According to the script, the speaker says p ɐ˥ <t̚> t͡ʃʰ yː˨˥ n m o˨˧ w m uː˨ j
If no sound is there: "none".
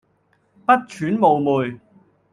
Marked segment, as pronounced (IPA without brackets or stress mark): t̚